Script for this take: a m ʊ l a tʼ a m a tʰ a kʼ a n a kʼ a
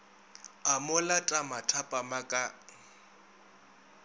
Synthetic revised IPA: a m ʊ l a tʼ a m a tʰ a pʼ a m a kʼ a